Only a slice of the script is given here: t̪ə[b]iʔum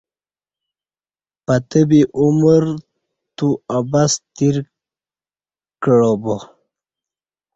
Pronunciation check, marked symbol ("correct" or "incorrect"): correct